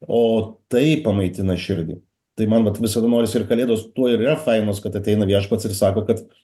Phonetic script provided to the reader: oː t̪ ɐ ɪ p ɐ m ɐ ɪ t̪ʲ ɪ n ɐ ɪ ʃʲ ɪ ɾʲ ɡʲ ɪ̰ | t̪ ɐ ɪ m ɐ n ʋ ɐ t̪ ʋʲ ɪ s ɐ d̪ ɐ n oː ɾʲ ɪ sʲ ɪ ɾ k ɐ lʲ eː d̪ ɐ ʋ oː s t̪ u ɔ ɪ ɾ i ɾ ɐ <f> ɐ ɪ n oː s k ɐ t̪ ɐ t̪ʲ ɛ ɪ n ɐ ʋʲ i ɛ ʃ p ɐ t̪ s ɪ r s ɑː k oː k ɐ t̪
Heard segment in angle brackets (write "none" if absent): f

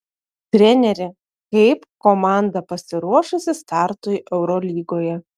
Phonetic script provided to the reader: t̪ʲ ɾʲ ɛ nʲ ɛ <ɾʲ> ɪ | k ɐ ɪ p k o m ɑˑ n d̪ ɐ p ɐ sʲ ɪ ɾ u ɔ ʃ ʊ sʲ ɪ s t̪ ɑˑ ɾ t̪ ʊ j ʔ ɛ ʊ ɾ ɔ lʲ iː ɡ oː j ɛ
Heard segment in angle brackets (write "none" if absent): ɾʲ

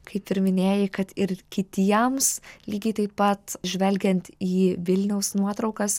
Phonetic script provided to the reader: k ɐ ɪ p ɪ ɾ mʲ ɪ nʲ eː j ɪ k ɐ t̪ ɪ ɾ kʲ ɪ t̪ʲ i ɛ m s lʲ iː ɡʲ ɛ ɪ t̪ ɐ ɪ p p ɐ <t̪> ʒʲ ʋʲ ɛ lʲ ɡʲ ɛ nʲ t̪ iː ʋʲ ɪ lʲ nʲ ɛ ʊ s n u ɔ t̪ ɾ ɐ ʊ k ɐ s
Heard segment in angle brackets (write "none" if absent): t̪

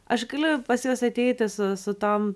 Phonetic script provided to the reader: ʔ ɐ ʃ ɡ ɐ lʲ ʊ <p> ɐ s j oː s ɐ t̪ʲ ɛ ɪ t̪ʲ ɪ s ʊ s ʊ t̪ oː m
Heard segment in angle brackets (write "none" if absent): p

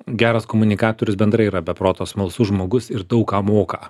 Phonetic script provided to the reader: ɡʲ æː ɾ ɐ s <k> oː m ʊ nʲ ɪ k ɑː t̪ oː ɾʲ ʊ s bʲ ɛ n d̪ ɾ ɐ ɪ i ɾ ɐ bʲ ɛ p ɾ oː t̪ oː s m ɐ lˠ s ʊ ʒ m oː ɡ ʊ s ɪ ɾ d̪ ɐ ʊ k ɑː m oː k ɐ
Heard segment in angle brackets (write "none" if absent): k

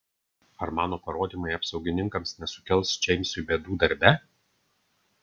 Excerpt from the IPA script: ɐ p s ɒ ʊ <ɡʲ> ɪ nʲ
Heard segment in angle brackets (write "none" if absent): ɡʲ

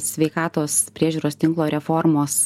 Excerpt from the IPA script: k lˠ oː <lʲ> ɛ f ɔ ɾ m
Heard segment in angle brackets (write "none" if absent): ɾʲ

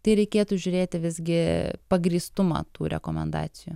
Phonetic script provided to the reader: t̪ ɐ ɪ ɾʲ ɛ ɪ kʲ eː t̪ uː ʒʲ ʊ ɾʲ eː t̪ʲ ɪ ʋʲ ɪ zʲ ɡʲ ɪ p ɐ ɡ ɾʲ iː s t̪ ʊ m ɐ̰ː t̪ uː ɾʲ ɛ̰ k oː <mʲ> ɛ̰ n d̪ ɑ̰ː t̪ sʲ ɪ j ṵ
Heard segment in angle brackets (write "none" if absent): mʲ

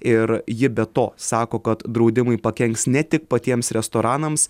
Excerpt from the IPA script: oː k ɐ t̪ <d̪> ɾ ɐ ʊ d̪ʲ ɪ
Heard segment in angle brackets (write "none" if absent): d̪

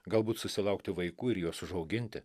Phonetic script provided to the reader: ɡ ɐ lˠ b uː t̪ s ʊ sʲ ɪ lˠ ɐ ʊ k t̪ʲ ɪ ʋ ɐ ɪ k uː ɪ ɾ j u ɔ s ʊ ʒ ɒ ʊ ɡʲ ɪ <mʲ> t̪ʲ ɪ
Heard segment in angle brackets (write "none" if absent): nʲ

